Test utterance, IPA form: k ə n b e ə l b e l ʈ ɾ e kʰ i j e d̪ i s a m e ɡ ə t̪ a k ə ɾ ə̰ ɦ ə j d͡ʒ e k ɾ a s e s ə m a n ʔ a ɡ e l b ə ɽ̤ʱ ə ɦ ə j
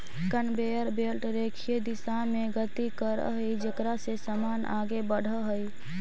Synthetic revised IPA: k ə n b e ə ɾ b e l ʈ ɾ e kʰ i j e d̪ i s a m e ɡ ə t̪ i k ə ɾ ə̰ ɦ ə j d͡ʒ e k ɾ a s e s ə m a n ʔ a ɡ e b ə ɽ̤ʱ ə ɦ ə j

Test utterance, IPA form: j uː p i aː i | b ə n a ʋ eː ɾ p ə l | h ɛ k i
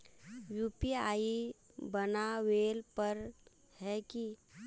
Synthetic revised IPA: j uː p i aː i | b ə n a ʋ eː l p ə ɾ | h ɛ k i

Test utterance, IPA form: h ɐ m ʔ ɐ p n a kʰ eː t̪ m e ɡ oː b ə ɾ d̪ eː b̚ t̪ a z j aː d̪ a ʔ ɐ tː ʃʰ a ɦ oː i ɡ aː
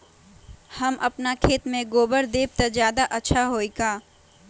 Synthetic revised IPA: h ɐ m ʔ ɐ p n a kʰ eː t̪ m ẽ ɡ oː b ə ɾ d̪ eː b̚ t̪ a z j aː d̪ a ʔ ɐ tː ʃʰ a ɦ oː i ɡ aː

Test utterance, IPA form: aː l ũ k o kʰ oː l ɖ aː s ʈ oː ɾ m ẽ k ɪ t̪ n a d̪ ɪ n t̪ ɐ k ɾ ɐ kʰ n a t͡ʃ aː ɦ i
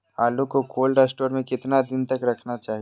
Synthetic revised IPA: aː l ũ k o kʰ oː l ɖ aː s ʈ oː ɾ m ẽ k ɪ t̪ n a d̪ ɪ n t̪ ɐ k ɾ ɐ kʰ n a t͡ʃ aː ɦ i

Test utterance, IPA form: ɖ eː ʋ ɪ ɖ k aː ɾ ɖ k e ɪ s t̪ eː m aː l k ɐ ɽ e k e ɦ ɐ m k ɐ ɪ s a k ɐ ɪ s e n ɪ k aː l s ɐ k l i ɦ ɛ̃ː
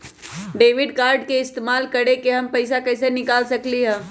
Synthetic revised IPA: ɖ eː ʋ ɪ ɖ k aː ɾ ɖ k e ɪ s t̪ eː m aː l k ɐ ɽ e k e ɦ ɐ m p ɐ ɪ s a k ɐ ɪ s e n ɪ k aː l s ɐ k l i ɦ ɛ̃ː

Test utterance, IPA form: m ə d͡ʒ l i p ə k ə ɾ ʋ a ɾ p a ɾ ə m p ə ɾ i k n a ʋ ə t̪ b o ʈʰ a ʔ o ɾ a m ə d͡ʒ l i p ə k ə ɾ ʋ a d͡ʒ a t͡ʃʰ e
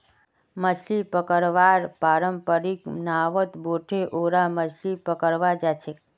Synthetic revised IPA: m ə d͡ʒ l i p ə k ə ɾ ʋ a ɾ p a ɾ ə m p ə ɾ i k n a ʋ ə t̪ b o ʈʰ e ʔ o ɾ a m ə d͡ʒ l i p ə k ə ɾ ʋ a d͡ʒ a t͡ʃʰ e

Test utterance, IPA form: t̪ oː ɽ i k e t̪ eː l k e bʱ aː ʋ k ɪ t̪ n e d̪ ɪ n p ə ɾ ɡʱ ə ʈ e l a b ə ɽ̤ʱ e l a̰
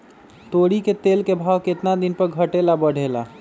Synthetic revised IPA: t̪ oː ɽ i k e t̪ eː l k e bʱ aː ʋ k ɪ t̪ n a d̪ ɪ n p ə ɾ ɡʱ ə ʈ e l a b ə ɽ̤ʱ e l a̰

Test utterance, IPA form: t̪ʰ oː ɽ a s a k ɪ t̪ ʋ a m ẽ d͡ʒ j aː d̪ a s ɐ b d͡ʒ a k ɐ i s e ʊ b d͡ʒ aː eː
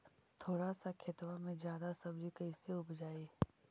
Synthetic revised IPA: t̪ʰ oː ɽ a s a kʰ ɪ t̪ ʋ a m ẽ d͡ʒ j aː d̪ a s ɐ b d͡ʒ i k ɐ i s e ʊ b d͡ʒ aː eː

